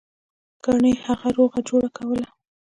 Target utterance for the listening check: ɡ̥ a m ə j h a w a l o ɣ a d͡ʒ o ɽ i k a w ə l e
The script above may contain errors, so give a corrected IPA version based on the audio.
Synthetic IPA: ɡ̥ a ɳ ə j h a ɣ a ɾ o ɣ a d͡ʒ o ɽ a k a w ə l a